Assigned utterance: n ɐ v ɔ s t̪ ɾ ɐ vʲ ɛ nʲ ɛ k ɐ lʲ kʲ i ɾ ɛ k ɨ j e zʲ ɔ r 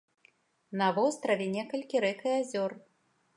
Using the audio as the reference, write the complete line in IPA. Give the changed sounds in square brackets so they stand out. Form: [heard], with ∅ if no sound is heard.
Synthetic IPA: n ɐ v ɔ s t̪ ɾ ɐ vʲ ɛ nʲ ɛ k ɐ lʲ kʲ i ɾ ɛ k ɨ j [a] zʲ ɔ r